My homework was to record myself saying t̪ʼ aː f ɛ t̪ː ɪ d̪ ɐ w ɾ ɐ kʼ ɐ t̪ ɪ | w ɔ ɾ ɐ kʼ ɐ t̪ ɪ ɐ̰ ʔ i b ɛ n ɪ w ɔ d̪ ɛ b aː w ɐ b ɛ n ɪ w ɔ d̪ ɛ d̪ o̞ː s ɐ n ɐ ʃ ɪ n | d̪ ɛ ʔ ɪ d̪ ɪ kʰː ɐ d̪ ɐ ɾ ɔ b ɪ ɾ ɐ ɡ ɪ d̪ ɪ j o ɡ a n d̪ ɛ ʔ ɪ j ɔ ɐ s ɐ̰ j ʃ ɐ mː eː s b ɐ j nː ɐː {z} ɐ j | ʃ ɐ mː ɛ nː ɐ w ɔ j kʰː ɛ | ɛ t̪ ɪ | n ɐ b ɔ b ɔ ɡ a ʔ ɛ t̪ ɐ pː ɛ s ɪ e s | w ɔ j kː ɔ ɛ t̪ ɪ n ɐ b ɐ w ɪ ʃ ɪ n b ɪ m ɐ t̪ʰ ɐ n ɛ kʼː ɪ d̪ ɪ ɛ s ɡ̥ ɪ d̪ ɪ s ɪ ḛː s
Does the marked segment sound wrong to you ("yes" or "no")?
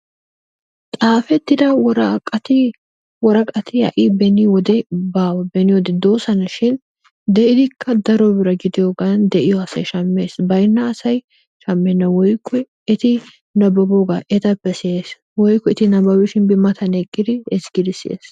yes